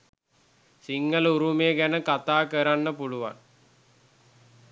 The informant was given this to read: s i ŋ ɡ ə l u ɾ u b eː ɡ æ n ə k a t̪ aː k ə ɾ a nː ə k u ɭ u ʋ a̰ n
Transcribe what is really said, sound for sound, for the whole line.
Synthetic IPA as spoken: s i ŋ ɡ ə l u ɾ u m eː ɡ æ n ə k a t̪ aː k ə ɾ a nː ə p u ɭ u ʋ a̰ n